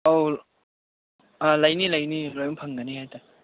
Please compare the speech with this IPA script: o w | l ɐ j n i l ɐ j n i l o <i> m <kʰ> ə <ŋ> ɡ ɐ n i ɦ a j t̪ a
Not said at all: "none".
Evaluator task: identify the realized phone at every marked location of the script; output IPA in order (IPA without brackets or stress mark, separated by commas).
j, pʰ, ŋ